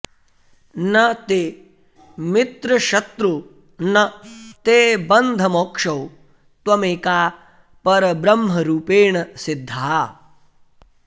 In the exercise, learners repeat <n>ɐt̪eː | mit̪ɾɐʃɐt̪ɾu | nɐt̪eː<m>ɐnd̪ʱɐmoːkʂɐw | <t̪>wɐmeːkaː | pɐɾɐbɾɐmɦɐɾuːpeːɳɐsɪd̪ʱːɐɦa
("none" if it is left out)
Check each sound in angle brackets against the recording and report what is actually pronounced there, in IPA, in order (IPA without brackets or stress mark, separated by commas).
n, b, t̪